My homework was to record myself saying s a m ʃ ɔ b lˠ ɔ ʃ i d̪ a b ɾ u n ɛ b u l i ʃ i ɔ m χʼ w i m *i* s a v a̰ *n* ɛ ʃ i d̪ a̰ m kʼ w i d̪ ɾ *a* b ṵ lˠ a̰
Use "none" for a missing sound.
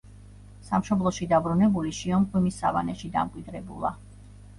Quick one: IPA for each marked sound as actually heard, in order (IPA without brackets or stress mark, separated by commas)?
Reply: i, n, ɛ